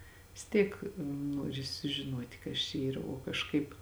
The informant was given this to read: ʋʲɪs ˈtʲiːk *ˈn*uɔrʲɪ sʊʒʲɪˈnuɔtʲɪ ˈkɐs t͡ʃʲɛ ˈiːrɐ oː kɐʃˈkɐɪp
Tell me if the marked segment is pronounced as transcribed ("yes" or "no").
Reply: yes